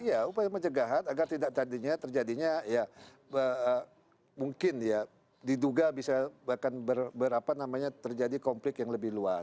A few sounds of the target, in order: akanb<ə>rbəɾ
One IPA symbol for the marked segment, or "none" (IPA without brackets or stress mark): ə